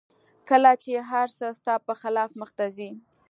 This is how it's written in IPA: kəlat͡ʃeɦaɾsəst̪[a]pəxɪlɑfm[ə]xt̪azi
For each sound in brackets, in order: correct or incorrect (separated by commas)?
incorrect, correct